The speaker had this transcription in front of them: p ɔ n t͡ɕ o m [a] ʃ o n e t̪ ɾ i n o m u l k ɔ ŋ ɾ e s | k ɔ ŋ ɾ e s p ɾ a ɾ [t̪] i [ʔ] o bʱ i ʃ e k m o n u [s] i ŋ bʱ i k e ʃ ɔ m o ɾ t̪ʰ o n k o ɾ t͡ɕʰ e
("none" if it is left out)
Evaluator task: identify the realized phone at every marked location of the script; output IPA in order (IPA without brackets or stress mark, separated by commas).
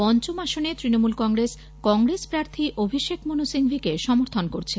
a, t̪ʰ, ʔ, s